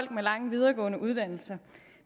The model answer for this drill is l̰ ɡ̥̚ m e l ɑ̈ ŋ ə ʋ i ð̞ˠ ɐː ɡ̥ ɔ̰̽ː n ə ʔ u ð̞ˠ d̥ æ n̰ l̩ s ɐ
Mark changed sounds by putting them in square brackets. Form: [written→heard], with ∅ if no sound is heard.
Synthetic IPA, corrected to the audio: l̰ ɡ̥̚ m e l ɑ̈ ŋ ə ʋ i ð̞ˠ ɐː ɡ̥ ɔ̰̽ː n ə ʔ u ð̞ˠ d̥ æ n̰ l̩ s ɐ